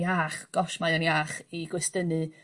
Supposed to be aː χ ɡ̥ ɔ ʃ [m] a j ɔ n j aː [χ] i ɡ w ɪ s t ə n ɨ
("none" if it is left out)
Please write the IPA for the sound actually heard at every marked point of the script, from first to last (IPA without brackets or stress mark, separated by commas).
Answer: m, χ